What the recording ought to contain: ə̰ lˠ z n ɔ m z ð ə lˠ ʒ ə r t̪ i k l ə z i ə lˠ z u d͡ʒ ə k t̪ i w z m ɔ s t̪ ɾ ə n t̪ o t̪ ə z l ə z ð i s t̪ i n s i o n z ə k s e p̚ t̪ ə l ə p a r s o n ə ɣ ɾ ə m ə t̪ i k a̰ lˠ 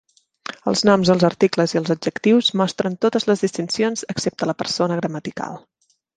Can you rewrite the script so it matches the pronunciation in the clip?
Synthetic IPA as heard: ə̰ lˠ z n ɔ m z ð ə lˠ z ə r t̪ i k l ə z i ə lˠ z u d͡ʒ ə k t̪ i w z m ɔ s t̪ ɾ ə n t̪ o t̪ ə z l ə z ð i s t̪ i n s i o n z ə k s e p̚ t̪ ə l ə p ə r s o n ə ɣ ɾ ə m ə t̪ i k a̰ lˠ